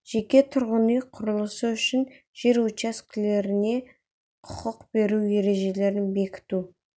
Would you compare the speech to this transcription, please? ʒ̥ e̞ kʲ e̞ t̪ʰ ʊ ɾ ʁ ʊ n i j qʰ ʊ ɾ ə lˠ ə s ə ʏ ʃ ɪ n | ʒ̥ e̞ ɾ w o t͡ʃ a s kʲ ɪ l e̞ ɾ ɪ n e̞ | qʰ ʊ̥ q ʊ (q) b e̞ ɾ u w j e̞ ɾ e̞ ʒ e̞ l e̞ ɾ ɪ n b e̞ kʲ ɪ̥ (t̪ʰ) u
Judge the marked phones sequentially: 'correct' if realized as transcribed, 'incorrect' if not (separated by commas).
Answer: correct, incorrect